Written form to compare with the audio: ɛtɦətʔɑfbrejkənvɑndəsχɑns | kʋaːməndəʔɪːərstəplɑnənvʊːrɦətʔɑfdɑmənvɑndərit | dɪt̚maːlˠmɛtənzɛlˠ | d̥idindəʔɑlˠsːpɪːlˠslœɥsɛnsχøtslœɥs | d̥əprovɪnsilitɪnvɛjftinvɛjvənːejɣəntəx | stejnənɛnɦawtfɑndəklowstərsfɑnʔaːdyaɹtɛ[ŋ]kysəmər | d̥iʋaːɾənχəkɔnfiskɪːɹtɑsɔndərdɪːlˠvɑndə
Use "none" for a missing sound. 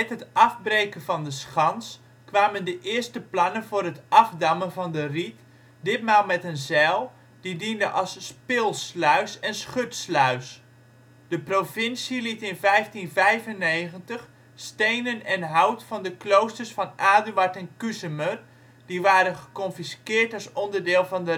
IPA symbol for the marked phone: n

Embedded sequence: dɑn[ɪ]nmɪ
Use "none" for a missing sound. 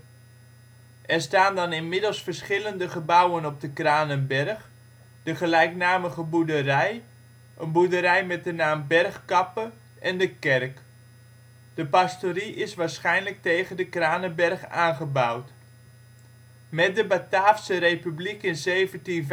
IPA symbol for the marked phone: ɪ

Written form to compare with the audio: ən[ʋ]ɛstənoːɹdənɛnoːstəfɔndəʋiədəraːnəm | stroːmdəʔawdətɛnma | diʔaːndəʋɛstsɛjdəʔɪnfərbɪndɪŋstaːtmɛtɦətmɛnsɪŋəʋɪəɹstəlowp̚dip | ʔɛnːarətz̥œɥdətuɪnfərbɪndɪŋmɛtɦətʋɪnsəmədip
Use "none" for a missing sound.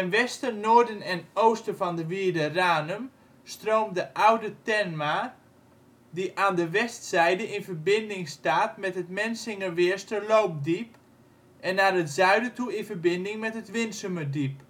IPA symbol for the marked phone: ʋ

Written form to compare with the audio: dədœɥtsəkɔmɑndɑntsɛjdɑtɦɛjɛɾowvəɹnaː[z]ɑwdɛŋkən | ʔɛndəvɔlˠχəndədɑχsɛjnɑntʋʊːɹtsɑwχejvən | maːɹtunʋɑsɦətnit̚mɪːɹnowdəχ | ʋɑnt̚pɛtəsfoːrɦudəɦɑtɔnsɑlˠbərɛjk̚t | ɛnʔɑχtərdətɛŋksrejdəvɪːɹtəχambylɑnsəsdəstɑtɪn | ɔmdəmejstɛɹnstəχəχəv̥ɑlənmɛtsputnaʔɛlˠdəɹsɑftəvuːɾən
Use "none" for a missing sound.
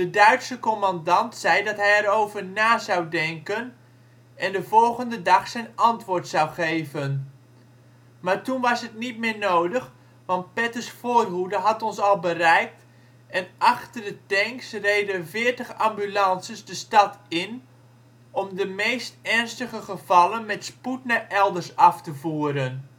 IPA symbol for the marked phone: z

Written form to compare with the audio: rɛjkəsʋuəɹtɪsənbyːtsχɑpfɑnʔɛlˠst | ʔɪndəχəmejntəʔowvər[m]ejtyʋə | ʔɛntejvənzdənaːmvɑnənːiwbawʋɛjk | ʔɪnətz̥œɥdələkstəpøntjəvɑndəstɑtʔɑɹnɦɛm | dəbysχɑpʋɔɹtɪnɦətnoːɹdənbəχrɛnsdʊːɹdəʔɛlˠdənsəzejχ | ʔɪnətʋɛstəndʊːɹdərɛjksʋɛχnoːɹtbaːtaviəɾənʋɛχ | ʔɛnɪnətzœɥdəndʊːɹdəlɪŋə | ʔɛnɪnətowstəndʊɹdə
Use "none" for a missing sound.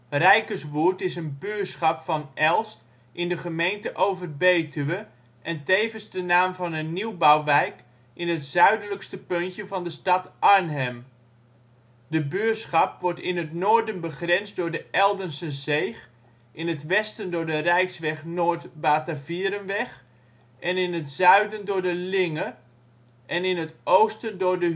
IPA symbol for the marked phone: b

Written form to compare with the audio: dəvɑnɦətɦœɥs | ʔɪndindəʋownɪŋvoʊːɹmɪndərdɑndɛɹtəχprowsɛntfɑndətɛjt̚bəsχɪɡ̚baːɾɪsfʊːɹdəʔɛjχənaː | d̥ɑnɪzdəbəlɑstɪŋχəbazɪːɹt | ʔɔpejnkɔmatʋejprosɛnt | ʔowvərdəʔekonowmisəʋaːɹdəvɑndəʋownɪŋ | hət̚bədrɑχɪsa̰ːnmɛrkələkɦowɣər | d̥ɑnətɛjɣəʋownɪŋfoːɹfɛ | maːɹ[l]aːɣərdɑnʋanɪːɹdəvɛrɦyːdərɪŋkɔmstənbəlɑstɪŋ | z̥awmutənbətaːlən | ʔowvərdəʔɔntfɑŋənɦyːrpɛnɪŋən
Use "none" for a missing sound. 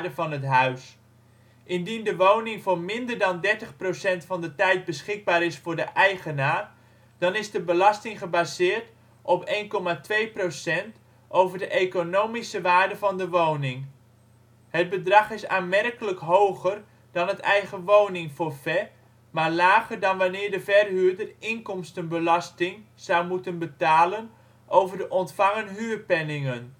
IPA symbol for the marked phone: l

